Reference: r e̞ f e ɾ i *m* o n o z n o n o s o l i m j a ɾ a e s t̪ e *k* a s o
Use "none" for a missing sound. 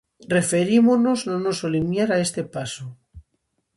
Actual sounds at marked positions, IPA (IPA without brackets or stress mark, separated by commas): m, p